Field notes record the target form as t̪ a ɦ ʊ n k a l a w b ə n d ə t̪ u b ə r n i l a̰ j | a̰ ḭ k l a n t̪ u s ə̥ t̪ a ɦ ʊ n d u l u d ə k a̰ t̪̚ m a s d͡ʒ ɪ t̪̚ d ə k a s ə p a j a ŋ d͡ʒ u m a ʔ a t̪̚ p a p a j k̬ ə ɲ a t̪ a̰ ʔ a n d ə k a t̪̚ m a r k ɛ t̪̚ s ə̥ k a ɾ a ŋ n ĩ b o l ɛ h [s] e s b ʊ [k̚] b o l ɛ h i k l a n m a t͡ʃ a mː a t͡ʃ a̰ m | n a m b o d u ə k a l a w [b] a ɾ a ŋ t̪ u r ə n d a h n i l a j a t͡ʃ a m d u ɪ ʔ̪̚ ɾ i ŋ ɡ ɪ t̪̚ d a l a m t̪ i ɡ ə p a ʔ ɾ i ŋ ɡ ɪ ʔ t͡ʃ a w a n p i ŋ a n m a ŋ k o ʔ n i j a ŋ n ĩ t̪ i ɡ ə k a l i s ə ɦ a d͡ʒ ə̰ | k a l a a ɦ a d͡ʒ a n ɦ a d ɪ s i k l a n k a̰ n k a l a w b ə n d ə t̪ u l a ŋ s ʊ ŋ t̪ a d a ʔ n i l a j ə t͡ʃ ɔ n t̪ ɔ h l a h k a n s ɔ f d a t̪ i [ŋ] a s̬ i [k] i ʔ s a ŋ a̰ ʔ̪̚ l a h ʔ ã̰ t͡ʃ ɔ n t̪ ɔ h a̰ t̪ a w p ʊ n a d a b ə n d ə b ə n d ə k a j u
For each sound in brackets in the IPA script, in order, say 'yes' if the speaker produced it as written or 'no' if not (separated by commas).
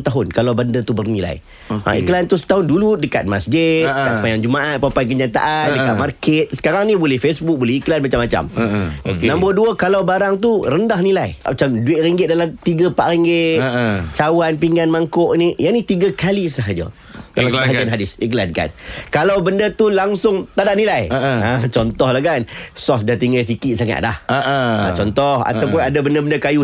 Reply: no, yes, yes, yes, yes